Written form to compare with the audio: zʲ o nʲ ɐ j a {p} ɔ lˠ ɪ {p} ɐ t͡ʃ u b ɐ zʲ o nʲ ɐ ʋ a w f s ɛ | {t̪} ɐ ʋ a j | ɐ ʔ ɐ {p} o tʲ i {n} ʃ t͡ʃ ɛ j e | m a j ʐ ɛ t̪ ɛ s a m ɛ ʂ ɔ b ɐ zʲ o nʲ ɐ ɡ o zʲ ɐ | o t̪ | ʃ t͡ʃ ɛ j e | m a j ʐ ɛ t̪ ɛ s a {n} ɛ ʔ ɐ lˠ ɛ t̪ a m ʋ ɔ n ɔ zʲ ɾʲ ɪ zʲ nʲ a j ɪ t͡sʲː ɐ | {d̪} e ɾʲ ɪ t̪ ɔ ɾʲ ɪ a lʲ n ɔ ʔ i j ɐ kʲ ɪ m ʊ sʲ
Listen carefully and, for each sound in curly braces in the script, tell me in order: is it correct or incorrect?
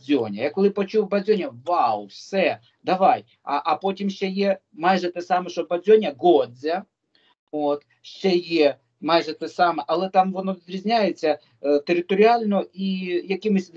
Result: incorrect: k, correct, incorrect: d̪, correct, incorrect: m, incorrect: m, incorrect: t̪

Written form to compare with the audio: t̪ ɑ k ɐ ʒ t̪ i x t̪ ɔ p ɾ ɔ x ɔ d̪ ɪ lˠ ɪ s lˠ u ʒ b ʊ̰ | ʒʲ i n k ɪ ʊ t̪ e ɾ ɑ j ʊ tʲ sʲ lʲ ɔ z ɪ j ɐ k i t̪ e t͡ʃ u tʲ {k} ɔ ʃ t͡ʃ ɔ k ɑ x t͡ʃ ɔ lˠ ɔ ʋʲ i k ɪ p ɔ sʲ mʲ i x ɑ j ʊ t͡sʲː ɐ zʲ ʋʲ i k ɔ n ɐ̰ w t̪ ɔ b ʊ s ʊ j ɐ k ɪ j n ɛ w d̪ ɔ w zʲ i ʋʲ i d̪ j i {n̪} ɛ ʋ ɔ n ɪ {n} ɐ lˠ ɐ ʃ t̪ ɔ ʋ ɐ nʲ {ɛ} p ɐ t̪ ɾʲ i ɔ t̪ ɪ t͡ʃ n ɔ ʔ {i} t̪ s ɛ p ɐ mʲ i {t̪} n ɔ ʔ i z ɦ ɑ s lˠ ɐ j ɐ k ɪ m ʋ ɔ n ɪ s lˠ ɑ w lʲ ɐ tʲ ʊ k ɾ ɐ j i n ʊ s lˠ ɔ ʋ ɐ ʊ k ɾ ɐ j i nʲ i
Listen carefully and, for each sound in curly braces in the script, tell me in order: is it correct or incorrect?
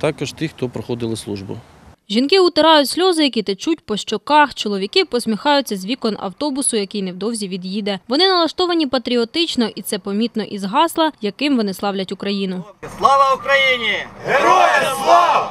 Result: incorrect: p, incorrect: d̪, correct, incorrect: i, correct, correct

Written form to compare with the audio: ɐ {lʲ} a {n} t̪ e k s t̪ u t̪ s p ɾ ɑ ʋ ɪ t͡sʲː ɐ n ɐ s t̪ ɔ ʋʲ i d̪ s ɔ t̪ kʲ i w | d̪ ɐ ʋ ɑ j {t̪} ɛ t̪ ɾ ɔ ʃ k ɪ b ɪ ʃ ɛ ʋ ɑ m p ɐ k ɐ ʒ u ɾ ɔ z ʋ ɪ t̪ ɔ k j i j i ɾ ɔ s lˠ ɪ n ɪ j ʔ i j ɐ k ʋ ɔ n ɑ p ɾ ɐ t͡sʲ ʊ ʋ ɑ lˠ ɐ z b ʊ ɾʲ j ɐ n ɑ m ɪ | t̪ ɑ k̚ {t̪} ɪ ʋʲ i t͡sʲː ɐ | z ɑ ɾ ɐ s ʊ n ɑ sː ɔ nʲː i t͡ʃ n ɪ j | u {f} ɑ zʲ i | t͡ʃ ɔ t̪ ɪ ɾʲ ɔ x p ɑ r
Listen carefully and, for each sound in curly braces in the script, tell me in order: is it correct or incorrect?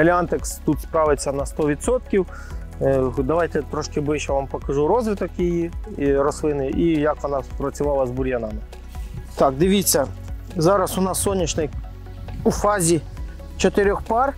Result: correct, correct, correct, incorrect: d̪, correct

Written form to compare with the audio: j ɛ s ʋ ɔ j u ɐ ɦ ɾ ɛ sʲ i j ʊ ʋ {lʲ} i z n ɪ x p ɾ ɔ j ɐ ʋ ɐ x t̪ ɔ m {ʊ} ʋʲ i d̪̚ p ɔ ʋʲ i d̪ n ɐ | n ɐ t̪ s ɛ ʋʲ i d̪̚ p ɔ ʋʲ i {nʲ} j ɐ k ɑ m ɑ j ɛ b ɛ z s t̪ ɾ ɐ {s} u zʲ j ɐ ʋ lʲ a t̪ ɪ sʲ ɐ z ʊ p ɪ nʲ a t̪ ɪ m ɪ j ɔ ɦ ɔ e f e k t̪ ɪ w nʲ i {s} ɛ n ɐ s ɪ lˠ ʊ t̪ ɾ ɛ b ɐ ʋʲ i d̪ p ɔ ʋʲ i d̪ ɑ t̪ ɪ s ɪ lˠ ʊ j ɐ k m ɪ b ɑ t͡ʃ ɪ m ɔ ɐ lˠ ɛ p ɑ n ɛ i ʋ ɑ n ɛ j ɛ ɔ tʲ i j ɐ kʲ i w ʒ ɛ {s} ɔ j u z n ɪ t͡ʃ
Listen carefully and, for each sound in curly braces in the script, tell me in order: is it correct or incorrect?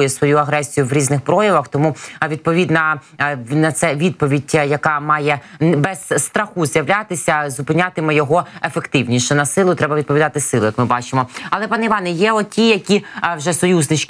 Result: incorrect: ɾʲ, incorrect: u, incorrect: dʲ, incorrect: x, incorrect: ʃ, correct

